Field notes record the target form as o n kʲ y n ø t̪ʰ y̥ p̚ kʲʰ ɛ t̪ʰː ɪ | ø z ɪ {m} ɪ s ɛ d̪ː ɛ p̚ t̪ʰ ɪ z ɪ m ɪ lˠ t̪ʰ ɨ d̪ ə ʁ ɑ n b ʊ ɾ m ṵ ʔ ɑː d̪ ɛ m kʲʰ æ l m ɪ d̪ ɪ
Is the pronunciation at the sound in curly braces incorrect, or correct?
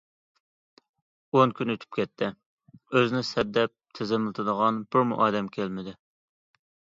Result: incorrect